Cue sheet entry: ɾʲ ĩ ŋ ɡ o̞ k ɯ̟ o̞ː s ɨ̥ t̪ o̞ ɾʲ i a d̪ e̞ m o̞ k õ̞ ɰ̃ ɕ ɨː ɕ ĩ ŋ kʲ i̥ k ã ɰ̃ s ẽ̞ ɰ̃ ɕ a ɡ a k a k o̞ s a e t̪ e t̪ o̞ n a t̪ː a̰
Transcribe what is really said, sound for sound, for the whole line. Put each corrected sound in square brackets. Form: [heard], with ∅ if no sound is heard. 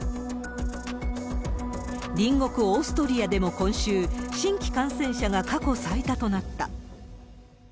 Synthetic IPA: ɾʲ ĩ ŋ ɡ o̞ k ɯ̟ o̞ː s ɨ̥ t̪ o̞ ɾʲ i a d̪ e̞ m o̞ k õ̞ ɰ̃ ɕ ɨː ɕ ĩ ŋ kʲ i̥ k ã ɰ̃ s ẽ̞ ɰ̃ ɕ a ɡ a k a k o̞ s a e t̪ [a] t̪ o̞ n a t̪ː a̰